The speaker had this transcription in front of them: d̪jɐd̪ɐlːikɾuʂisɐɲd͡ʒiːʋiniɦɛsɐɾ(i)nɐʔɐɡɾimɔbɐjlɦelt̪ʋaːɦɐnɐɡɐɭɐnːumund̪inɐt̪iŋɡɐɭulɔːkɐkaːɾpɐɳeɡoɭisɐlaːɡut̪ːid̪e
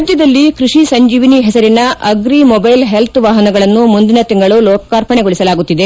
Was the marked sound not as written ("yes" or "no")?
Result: no